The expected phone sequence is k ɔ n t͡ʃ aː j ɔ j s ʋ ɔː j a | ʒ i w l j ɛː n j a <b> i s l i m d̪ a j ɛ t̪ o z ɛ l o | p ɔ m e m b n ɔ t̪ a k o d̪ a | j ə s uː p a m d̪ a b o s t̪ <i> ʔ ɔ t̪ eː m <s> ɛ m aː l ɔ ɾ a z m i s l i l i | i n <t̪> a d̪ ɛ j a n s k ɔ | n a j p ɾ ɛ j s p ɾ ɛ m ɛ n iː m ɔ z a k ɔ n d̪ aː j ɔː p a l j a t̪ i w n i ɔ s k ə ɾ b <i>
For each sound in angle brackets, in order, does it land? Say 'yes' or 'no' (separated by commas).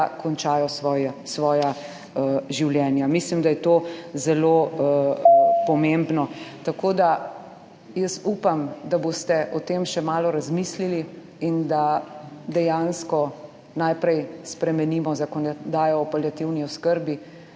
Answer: no, no, no, no, yes